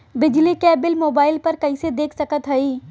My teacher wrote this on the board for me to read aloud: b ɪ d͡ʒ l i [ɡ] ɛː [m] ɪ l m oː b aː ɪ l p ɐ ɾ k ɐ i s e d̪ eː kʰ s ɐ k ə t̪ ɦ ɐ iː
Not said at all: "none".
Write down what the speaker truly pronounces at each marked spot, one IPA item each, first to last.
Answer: k, b

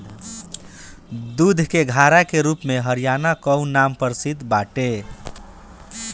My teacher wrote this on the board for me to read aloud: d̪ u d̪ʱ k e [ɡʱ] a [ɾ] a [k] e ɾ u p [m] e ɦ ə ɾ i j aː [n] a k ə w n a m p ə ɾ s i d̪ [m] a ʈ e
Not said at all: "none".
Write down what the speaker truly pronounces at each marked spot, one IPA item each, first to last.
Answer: ɡʱ, ɾ, k, m, n, b

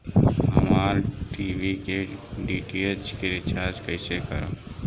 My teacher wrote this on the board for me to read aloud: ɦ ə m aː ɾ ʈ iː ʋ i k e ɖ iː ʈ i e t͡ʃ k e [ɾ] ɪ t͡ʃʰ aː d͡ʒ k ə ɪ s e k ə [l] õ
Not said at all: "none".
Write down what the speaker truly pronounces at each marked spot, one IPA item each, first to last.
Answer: ɾ, ɾ

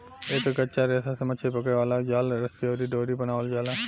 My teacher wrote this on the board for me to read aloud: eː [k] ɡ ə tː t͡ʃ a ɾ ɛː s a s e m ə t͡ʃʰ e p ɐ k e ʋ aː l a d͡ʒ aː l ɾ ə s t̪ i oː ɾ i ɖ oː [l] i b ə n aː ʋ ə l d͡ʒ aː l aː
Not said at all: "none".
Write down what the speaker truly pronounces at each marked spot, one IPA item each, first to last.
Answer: k, ɾ

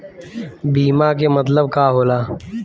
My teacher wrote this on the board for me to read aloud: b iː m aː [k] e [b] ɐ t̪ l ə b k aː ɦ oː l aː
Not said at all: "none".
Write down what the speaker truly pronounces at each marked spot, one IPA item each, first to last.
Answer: k, m

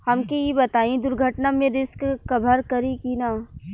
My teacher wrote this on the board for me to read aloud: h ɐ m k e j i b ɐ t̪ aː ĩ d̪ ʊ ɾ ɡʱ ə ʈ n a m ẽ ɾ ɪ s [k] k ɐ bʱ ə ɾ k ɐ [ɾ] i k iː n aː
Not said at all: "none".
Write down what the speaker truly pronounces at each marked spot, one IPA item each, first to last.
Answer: k, ɾ

